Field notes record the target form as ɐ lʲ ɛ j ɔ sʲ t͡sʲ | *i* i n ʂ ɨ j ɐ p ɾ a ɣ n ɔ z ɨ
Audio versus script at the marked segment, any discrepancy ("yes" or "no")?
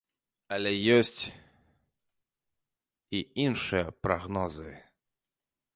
no